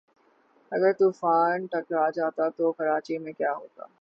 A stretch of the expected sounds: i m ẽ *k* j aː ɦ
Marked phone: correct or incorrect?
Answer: correct